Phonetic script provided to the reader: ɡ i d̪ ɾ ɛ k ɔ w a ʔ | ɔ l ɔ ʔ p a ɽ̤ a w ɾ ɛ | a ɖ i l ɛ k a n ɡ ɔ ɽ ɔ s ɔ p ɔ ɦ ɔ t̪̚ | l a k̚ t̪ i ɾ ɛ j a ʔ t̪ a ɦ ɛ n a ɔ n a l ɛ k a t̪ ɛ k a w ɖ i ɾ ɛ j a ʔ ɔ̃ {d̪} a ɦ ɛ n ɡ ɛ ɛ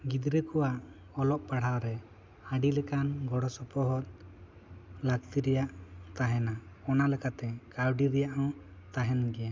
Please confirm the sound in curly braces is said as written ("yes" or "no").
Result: no